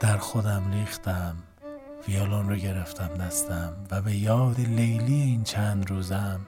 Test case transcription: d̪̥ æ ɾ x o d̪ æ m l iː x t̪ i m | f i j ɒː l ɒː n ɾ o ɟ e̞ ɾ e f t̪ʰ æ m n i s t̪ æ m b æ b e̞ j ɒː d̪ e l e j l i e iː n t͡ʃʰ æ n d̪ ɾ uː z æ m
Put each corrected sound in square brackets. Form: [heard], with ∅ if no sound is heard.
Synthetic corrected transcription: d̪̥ æ ɾ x o d̪ æ m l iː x t̪ [æ] m | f i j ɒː l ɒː n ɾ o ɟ e̞ ɾ e f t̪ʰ æ m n [æ] s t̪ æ m [v] æ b e̞ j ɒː d̪ e l e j l i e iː n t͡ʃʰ æ n d̪ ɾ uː z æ m